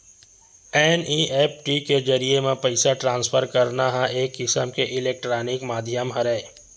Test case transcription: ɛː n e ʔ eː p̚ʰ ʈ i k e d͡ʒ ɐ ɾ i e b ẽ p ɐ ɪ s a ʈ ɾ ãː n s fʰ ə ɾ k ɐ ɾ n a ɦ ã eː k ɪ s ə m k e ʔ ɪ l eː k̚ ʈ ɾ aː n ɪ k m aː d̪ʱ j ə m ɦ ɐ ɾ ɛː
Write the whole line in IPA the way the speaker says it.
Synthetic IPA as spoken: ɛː n i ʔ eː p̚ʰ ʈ i k e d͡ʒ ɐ ɾ i e m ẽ p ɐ ɪ s a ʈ ɾ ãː n s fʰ ə ɾ k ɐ ɾ n a ɦ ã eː k ɪ s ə m k e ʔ ɪ l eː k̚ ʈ ɾ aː n ɪ k m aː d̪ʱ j ə m ɦ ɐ ɾ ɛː